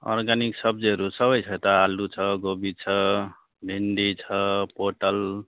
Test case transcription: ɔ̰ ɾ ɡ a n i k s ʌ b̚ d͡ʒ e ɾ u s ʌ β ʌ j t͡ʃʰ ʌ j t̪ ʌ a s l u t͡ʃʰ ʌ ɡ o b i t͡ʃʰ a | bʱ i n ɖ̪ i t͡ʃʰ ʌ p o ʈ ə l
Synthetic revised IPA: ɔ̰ ɾ ɡ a n i k s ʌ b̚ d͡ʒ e ɾ u s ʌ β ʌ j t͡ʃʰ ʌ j t̪ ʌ a l u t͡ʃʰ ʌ ɡ o b i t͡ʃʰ ʌ | bʱ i n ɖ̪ i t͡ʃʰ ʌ p o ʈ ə l